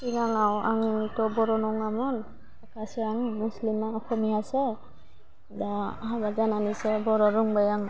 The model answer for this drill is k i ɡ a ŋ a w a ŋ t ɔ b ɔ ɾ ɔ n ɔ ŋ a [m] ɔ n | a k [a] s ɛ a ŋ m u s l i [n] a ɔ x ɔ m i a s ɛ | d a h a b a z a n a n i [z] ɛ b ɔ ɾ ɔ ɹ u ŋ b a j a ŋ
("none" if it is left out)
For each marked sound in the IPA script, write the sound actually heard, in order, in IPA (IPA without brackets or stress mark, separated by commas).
m, a, m, s